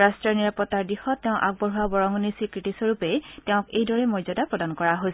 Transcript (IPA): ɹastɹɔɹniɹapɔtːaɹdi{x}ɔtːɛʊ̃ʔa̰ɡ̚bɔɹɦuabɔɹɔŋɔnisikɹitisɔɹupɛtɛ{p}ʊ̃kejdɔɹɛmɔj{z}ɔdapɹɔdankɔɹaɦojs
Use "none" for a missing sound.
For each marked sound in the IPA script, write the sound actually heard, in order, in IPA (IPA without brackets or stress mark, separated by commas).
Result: x, none, z